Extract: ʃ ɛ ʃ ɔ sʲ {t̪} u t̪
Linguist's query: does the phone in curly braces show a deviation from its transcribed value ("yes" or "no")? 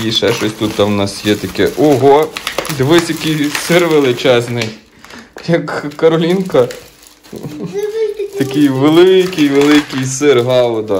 no